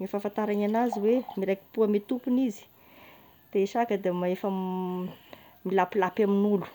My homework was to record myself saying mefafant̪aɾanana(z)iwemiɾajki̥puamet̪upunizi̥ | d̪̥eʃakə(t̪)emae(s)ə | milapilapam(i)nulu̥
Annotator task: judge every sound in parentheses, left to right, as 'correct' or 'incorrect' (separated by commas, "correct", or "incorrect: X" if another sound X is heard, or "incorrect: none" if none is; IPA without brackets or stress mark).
correct, incorrect: d̪, incorrect: f, correct